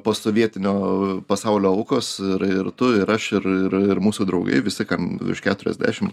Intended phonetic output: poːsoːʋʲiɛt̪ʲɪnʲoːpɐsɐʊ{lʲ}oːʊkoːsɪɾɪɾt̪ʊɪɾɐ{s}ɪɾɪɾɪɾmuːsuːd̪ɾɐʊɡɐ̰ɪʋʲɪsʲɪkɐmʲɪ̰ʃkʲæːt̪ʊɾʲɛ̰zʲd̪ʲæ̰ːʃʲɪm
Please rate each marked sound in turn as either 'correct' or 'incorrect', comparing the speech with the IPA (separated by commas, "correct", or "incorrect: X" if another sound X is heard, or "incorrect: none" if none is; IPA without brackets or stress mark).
correct, incorrect: ʃ